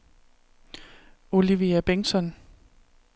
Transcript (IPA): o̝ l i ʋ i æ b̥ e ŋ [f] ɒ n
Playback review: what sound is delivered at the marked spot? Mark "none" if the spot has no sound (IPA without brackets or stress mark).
s